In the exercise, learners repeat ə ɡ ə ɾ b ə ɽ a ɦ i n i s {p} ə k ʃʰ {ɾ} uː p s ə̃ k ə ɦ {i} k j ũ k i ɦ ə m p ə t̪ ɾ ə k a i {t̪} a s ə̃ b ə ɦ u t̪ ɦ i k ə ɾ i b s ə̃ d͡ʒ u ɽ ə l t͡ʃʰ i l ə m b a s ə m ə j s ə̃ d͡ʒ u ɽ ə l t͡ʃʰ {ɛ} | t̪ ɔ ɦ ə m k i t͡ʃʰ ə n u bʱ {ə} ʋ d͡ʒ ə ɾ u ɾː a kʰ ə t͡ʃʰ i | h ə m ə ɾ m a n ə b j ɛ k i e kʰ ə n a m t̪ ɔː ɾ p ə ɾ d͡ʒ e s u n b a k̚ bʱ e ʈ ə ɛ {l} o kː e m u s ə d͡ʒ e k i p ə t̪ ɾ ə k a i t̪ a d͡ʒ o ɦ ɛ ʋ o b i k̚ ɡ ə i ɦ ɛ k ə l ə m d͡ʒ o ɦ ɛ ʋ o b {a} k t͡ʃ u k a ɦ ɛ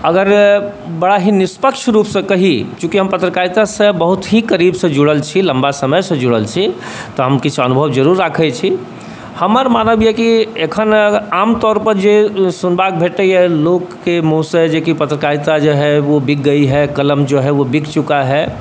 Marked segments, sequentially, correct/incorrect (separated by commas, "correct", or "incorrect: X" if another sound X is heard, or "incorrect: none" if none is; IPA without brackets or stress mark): correct, correct, correct, correct, incorrect: i, correct, correct, incorrect: i